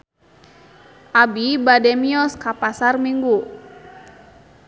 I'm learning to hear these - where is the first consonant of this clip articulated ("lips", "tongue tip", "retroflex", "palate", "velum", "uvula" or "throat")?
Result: throat